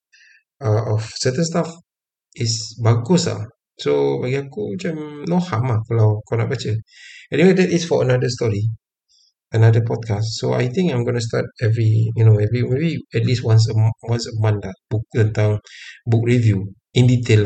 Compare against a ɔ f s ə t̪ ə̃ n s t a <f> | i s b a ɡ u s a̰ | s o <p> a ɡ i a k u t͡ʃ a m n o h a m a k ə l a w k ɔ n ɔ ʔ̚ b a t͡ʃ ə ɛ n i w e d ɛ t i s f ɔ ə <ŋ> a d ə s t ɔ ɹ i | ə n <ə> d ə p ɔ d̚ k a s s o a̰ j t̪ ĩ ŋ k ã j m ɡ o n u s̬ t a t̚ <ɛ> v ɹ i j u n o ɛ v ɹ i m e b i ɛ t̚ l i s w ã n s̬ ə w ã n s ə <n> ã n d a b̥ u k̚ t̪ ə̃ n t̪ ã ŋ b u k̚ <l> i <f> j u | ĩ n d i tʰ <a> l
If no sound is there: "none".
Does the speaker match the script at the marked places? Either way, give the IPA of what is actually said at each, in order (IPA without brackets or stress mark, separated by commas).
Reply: f, b, n, a, ɛ, m, ɹ, v, e